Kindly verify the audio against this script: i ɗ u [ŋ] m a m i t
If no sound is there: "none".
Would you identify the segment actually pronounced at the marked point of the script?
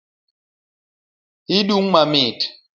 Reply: ŋ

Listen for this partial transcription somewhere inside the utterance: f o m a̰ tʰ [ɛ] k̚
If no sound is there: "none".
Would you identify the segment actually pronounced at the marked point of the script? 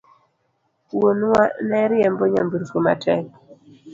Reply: ɛ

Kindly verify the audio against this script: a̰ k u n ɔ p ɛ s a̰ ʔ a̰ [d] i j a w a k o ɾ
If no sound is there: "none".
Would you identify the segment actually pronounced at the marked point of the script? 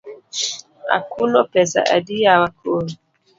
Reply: d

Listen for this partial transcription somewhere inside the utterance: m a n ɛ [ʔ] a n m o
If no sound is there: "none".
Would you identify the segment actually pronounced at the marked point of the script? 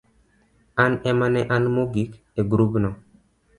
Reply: ʔ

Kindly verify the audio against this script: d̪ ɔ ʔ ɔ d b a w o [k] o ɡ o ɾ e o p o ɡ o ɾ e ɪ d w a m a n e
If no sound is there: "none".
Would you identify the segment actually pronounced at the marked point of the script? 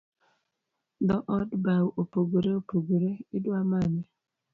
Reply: p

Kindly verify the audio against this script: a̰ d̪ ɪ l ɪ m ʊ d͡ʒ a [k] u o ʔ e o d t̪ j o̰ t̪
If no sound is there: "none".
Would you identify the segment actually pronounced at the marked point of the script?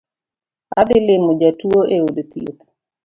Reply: t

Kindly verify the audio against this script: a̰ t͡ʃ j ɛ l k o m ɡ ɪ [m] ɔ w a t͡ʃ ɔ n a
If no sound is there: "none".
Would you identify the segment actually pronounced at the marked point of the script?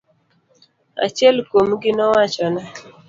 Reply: n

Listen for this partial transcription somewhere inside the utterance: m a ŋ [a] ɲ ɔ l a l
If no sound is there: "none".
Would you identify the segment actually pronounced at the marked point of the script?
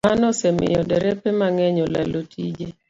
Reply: ɛ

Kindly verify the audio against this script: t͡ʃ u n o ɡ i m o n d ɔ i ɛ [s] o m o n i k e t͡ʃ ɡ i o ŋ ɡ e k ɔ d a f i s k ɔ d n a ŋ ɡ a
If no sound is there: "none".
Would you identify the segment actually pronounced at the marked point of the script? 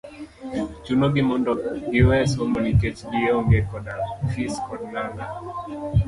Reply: s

